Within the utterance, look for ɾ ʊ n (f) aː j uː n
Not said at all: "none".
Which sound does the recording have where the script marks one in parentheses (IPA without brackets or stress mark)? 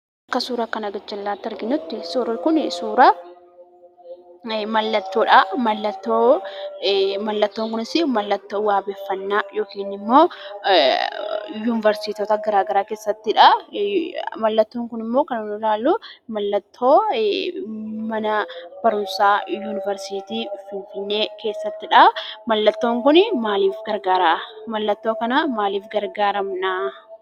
s